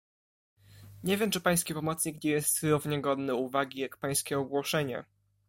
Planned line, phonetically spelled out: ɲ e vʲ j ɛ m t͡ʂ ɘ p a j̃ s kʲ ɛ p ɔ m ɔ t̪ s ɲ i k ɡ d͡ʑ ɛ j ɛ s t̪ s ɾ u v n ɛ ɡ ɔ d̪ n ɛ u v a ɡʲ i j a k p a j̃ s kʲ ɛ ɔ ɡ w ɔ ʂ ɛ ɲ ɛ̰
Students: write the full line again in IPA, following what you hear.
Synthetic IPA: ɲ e vʲ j ɛ m t͡ʂ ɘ p a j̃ s kʲ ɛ p ɔ m ɔ t̪ s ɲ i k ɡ d͡ʑ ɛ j ɛ s t̪ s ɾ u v ɲ ɛ ɡ ɔ d̪ n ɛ u v a ɡʲ i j a k p a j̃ s kʲ ɛ ɔ ɡ w ɔ ʂ ɛ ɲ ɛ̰